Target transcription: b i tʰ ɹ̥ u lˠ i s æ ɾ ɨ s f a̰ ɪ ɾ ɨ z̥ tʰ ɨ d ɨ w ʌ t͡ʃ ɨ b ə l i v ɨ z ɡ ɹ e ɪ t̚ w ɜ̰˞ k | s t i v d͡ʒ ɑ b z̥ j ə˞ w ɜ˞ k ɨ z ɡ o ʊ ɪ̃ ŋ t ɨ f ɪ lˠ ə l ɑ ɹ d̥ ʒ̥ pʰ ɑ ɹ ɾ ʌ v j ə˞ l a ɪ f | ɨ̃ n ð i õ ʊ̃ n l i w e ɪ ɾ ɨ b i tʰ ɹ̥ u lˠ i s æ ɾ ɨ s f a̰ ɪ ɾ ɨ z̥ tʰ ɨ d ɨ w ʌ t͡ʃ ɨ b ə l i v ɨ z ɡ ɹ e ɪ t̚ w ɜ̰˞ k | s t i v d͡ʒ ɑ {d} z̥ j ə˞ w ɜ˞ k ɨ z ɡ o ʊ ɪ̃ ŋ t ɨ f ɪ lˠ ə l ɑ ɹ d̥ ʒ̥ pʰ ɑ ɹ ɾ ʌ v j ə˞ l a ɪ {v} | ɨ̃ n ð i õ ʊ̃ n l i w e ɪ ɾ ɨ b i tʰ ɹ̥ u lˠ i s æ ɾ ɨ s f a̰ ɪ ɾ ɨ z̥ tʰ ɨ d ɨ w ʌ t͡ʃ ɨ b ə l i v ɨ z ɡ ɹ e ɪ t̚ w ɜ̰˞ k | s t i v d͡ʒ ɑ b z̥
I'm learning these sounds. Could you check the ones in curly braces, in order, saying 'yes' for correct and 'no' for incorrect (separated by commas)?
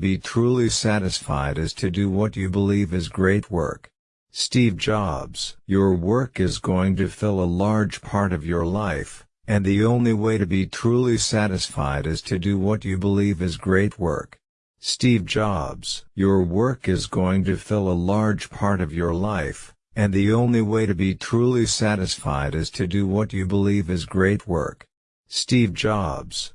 no, no